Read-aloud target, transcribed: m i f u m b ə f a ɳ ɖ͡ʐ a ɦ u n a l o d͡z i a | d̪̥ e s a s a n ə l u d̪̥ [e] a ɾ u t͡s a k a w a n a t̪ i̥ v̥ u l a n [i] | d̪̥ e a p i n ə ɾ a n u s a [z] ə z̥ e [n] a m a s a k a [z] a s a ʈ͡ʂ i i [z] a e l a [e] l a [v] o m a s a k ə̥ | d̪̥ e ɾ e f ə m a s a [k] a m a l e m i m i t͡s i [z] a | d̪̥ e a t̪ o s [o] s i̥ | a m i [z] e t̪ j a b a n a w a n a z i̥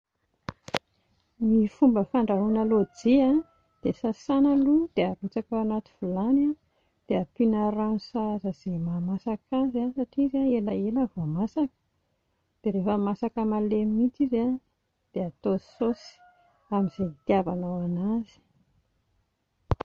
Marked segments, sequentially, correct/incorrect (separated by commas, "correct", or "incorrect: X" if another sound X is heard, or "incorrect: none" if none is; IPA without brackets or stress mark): correct, incorrect: a, correct, incorrect: m, correct, correct, correct, correct, correct, correct, correct, correct